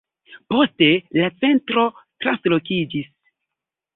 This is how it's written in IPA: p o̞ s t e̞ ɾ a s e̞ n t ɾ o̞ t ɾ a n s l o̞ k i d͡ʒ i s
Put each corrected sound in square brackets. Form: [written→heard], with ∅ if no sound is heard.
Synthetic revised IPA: p o̞ s t e̞ [ɾ→l] a [s→t͡s] e̞ n t ɾ o̞ t ɾ a n s l o̞ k i d͡ʒ i s